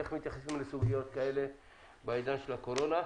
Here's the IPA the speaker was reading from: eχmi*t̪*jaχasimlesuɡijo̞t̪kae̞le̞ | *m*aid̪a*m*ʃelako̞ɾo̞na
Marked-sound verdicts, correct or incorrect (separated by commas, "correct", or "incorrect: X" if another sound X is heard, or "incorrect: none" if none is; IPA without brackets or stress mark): correct, incorrect: b, incorrect: n